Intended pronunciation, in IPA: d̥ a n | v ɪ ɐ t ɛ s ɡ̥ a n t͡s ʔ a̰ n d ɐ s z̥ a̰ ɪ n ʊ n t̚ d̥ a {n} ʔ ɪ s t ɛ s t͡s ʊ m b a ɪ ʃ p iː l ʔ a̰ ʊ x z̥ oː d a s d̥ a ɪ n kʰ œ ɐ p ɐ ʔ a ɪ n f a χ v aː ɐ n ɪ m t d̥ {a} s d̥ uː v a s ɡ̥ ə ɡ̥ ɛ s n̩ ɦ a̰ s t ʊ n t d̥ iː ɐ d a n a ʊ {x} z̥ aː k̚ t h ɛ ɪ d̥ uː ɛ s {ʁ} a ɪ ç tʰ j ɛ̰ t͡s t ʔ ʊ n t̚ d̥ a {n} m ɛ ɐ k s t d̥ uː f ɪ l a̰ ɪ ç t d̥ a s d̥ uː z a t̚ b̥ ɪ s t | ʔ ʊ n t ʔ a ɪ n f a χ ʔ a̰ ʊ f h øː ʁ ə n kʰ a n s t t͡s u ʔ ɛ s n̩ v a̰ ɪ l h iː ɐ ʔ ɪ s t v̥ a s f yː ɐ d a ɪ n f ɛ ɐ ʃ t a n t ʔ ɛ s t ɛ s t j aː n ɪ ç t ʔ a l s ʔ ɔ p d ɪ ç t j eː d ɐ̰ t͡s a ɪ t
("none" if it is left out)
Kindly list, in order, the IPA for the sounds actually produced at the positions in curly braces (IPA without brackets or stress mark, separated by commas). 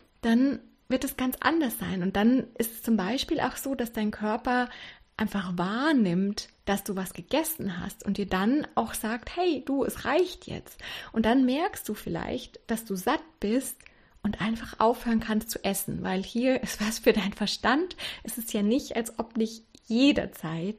n, a, x, ʁ, n